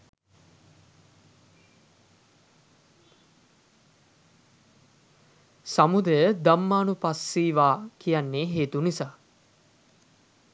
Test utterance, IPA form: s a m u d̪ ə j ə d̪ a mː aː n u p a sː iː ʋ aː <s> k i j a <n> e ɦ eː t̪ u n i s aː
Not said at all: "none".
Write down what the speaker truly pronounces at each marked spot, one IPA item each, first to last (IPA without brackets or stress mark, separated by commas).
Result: none, nː